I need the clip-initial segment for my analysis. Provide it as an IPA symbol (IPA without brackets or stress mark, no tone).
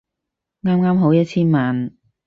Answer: ŋ